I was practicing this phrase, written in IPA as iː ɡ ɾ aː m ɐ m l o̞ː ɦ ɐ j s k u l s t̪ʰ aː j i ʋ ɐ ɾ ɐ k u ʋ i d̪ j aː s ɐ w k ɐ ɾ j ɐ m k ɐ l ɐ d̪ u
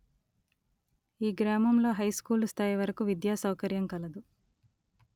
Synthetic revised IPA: iː ɡ ɾ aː m ɐ m l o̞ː ɦ ɐ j s k uː l s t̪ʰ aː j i ʋ ɐ ɾ ɐ k u ʋ i d̪ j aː s ɐ w k ɐ ɾ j ɐ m k ɐ l ɐ d̪ u

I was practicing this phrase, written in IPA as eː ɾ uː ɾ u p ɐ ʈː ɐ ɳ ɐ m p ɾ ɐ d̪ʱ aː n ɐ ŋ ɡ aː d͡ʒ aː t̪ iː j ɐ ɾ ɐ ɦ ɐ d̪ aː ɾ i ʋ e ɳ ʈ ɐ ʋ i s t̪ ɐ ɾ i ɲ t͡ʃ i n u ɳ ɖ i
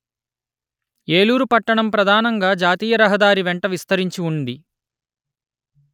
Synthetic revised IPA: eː l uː ɾ u p ɐ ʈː ɐ ɳ ɐ m p ɾ ɐ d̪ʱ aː n ɐ ŋ ɡ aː d͡ʒ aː t̪ iː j ɐ ɾ ɐ ɦ ɐ d̪ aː ɾ i ʋ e ɳ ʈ ɐ ʋ i s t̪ ɐ ɾ i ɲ t͡ʃ i u ɳ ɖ i

